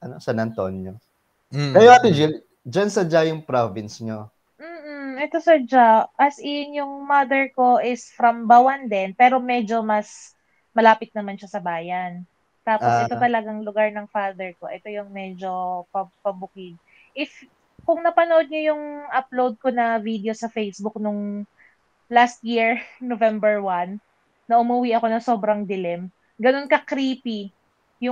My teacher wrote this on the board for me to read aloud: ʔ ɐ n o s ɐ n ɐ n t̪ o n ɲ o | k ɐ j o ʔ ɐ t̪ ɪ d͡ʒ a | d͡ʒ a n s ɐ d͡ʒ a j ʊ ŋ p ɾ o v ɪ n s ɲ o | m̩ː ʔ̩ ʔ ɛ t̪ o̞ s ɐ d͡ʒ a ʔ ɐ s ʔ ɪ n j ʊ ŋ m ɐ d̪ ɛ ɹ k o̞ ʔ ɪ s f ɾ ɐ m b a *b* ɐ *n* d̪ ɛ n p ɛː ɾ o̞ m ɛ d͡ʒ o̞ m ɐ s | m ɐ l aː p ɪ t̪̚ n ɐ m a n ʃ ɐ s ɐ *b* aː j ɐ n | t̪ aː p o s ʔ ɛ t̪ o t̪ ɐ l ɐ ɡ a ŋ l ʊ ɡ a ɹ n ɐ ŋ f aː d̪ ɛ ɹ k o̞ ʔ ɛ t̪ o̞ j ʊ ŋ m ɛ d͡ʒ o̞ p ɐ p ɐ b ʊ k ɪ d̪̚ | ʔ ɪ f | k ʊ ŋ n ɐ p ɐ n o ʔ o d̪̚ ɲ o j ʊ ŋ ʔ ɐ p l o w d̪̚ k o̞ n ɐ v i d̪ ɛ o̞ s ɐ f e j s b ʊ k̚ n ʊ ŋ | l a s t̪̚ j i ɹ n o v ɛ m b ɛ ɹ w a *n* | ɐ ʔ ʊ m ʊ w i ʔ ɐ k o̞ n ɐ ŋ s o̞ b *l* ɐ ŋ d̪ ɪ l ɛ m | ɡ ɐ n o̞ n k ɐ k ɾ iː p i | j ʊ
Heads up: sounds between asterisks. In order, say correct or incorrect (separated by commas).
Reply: incorrect, correct, correct, incorrect, incorrect